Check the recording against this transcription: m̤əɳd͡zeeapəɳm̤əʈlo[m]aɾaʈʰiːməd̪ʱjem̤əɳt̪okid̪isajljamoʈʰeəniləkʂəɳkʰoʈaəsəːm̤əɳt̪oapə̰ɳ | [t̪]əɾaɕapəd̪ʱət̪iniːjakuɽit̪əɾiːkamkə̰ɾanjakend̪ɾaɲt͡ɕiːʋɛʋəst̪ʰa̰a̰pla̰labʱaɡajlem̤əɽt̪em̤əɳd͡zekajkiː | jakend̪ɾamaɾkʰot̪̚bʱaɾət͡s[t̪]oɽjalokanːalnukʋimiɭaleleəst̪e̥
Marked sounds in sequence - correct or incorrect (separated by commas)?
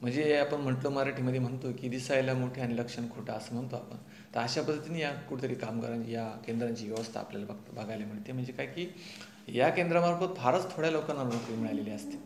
correct, correct, incorrect